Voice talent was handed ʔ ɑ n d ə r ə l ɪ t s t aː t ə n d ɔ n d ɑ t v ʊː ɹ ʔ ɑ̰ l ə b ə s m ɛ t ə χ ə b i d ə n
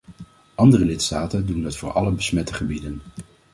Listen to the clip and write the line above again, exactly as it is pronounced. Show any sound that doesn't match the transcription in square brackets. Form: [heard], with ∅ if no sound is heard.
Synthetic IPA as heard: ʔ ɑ n d ə r ə l ɪ t s t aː t ə n d [u] n d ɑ t [f] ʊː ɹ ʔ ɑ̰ l ə b ə s m ɛ t ə χ ə b i d ə n